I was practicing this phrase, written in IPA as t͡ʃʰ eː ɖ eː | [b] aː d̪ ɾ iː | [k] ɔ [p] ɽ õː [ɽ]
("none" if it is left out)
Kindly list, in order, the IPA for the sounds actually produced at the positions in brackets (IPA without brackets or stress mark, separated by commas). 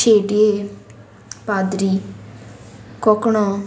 p, k, k, none